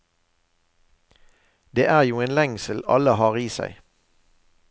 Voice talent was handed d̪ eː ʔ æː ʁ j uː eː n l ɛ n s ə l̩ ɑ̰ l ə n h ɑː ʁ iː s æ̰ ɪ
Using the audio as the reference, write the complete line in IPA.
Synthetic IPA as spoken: d̪ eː ʔ æː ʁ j uː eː n l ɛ ŋ s ə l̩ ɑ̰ l ə h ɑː ʁ iː s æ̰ ɪ